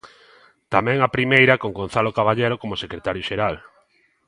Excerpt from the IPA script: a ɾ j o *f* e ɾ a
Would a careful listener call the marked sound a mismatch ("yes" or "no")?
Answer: yes